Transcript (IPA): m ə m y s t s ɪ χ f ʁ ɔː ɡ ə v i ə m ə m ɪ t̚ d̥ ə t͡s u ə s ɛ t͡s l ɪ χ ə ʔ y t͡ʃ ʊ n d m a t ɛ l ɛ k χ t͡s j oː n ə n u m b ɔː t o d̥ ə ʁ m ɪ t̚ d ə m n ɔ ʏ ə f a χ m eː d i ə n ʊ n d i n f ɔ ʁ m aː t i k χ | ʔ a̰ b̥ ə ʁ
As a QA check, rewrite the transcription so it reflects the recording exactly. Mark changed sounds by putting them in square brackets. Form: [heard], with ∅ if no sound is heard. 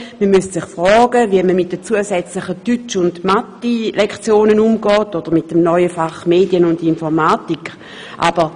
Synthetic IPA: m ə m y s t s ɪ χ f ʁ ɔː ɡ ə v i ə m ə m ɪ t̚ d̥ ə t͡s u ə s ɛ t͡s l ɪ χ ə [t] y t͡ʃ ʊ n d m a t [i] l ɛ k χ t͡s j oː n ə n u m [ɡ] ɔː t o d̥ ə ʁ m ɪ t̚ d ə m n ɔ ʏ ə f a χ m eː d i ə n ʊ n d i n f ɔ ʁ m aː t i k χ | ʔ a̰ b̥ ə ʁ

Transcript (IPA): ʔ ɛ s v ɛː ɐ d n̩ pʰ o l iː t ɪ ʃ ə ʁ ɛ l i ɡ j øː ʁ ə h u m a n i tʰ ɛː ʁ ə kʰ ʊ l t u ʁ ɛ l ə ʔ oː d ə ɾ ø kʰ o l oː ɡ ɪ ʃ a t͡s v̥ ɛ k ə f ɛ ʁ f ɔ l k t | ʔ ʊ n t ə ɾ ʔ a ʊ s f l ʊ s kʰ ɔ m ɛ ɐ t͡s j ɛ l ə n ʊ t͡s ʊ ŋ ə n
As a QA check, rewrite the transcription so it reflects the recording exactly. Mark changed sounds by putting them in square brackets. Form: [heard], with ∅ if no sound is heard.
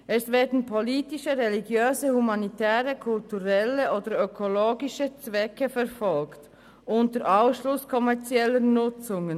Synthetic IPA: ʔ ɛ s v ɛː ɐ d n̩ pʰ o l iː t ɪ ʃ ə ʁ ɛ l i ɡ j øː [z] ə h u m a n i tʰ ɛː ʁ ə kʰ ʊ l t u ʁ ɛ l ə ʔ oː d ə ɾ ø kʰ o l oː ɡ ɪ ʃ [ə] t͡s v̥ ɛ k ə f ɛ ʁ f ɔ l k t | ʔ ʊ n t ə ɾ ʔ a ʊ s [ʃ] l ʊ s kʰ ɔ m ɛ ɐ t͡s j ɛ l ə n ʊ t͡s ʊ ŋ ə n

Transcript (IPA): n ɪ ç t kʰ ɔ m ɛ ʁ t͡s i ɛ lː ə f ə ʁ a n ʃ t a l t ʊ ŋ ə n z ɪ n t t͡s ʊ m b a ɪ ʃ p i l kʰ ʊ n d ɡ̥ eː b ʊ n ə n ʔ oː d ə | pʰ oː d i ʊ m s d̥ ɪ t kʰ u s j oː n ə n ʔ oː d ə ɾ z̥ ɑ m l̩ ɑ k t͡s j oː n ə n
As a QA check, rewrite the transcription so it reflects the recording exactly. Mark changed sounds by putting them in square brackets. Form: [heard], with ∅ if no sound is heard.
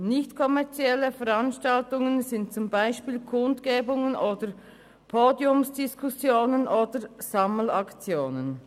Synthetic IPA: n ɪ ç t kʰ ɔ m ɛ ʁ t͡s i ɛ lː ə f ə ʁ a n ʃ t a l t ʊ ŋ ə n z ɪ n t t͡s ʊ m b a ɪ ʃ p [iː] l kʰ ʊ n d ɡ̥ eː b ʊ [ŋ] ə n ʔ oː d ə | pʰ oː d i ʊ m s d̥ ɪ [s] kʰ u s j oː n ə n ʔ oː d ə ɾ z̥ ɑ m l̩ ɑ k t͡s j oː n ə n

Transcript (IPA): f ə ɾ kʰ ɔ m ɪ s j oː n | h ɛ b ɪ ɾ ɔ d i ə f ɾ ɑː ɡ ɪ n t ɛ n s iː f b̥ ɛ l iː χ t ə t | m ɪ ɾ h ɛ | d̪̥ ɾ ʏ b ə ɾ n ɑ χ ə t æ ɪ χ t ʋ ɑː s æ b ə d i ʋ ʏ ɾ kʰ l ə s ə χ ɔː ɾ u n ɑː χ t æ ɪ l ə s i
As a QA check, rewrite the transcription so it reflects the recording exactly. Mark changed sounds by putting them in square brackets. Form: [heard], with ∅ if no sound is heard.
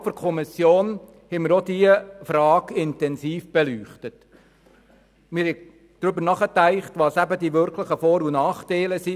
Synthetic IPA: f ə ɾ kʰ ɔ m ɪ s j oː n | h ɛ [m] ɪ ɾ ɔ d i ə f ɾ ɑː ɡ ɪ n t ɛ n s iː f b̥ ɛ l [yː] χ t ə t | m ɪ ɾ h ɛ | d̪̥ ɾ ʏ b ə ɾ n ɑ χ ə t æ ɪ χ t ʋ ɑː s æ b ə d i ʋ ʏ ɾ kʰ l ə [χ] ə [f] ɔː ɾ u n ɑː χ t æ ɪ l ə s i

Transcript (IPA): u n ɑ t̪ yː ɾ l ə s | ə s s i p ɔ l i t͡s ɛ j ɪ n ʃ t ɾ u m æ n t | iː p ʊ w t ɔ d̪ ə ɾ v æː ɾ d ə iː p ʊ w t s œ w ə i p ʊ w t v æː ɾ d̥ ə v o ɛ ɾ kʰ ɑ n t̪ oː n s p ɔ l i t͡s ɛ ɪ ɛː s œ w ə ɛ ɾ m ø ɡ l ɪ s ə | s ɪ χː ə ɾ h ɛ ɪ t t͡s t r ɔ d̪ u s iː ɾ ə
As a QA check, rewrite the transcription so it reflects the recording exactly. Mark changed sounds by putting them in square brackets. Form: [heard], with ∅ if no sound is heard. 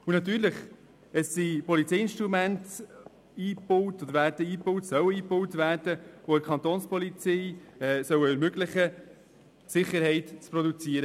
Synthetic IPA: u n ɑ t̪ yː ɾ l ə [χ] | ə s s i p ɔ l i t͡s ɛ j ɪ n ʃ t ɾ u m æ n t | iː p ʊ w t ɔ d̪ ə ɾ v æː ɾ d ə iː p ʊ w t s œ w ə [iː] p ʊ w t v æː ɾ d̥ ə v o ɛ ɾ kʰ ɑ n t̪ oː n s p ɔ l i t͡s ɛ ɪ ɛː s œ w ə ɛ ɾ m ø ɡ l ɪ [χ] ə | s ɪ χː ə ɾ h ɛ ɪ t t͡s [p] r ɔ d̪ u [t͡s] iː ɾ ə

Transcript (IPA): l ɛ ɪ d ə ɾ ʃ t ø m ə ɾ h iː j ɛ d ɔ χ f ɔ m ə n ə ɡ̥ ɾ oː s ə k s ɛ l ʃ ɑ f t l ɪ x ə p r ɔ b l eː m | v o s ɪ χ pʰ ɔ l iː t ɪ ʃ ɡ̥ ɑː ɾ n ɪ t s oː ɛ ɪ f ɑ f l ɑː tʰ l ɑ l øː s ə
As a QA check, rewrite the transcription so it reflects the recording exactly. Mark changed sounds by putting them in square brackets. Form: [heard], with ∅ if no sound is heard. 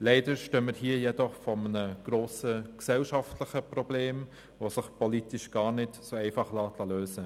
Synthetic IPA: l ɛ ɪ d ə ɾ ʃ t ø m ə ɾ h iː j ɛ d ɔ χ f ɔ m ə n ə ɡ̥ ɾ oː s ə k s ɛ l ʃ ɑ f t l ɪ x ə p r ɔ b l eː m | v o s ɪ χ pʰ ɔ l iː t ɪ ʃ ɡ̥ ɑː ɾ n ɪ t s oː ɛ ɪ f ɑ [χ] l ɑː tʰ l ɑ l øː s ə

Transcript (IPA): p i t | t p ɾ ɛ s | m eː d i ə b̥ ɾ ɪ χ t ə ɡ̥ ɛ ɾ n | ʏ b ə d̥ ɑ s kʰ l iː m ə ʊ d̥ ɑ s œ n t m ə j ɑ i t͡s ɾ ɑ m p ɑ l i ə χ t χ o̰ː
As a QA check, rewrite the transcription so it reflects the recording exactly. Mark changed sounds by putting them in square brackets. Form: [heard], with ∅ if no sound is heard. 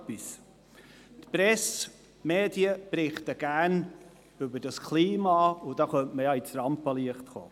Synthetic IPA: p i [s] | t p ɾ ɛ s | m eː d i ə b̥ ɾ ɪ χ t ə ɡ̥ [æ] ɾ n | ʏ b ə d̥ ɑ s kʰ l iː m [ɑ] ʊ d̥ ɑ [χ] œ n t m ə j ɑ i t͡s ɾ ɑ m p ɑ l i ə χ t χ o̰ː

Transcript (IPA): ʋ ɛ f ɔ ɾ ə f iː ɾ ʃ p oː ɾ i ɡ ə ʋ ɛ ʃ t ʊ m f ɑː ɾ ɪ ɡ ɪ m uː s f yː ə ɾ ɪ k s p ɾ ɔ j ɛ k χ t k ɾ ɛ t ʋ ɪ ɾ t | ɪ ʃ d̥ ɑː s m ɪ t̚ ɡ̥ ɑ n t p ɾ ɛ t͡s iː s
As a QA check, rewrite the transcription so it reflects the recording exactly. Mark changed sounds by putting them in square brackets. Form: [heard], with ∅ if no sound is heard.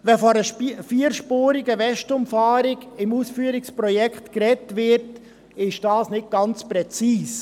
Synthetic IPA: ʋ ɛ f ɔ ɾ ə f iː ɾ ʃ p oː ɾ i ɡ ə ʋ ɛ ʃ t ʊ m f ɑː ɾ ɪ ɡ ɪ m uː s f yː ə ɾ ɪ k s p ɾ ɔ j ɛ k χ t k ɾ ɛ t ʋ ɪ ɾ t | ɪ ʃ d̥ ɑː s [n] ɪ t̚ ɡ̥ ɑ n [t͡s] p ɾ ɛ t͡s iː s

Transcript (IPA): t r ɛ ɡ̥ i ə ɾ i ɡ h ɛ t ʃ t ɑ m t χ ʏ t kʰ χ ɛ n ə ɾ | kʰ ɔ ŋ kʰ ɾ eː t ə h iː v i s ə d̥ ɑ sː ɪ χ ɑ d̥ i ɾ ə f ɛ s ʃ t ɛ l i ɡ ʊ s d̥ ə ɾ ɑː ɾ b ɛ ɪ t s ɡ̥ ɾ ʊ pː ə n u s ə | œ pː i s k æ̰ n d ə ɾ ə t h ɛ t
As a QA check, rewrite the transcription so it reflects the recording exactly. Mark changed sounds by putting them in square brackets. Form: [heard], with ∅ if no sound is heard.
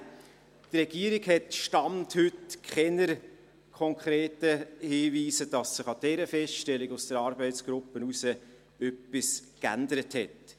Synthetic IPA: t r ɛ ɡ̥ i ə ɾ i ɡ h ɛ t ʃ t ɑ m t [h] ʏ t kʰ χ ɛ n ə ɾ | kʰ ɔ ŋ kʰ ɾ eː t ə h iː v [iː] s ə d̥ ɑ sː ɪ χ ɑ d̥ [ɛ] ɾ ə f ɛ s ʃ t ɛ l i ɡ ʊ s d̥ ə ɾ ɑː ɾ b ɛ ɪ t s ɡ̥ ɾ ʊ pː ə n u s ə | œ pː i s k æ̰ n d ə ɾ ə t h ɛ t

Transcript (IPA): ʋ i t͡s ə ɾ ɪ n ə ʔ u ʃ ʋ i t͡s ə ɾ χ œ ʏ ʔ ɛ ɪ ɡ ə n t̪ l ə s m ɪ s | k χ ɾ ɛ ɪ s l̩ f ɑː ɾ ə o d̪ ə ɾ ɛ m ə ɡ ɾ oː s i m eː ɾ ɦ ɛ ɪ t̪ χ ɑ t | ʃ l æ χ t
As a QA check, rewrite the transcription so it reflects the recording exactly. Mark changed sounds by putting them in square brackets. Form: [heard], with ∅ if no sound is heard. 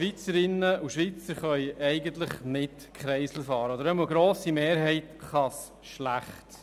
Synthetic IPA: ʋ i t͡s ə ɾ ɪ n ə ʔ u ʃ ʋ i t͡s ə ɾ χ œ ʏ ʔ ɛ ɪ ɡ ə n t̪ l ə [χ] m ɪ [t] | k χ ɾ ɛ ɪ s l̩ f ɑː ɾ ə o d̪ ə ɾ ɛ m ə ɡ ɾ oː s i m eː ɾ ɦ ɛ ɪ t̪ χ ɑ [s] | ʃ l æ χ t

